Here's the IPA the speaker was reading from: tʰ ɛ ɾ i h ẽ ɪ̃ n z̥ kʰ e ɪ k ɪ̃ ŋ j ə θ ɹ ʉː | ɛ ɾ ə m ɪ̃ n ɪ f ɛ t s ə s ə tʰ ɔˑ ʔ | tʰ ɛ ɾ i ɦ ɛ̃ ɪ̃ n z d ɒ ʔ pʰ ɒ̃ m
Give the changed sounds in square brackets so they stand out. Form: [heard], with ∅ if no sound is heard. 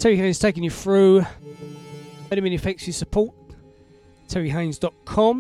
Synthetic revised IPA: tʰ ɛ [ɹ] i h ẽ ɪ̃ n z̥ [tʰ] e ɪ k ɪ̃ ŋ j ə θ ɹ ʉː | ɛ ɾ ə m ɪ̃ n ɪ f ɛ [k] s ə s ə [pʰ] ɔˑ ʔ | tʰ ɛ [ɹ] i ɦ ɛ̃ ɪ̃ n z d ɒ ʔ [kʰ] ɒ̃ m